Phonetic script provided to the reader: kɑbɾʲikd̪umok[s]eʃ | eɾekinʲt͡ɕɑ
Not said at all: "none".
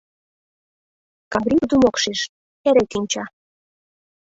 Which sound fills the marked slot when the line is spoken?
ʃ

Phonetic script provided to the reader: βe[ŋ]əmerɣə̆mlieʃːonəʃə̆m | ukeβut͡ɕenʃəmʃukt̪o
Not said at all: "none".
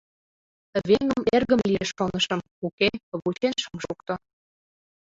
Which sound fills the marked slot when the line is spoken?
ŋ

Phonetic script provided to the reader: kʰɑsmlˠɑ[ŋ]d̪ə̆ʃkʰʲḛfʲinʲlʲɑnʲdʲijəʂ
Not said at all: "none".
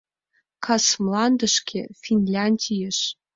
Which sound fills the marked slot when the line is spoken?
n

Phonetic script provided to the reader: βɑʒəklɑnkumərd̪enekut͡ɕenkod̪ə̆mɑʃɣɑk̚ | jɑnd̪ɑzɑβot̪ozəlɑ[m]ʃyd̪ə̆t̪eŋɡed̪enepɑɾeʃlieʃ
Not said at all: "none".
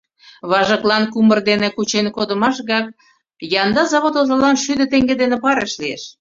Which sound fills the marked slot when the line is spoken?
n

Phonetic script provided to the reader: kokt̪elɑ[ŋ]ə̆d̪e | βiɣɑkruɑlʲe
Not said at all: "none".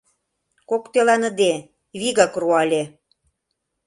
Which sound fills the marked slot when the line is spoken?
n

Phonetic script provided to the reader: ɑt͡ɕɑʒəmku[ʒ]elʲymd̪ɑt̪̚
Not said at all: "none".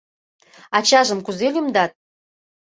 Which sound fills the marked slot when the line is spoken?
z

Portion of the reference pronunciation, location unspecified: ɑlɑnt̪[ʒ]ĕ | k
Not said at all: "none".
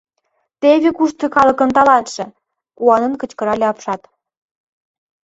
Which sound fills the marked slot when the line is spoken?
ʃ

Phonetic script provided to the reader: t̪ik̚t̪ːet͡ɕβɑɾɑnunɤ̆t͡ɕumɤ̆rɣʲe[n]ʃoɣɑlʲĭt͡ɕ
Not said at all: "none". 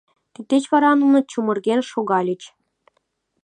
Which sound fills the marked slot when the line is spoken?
n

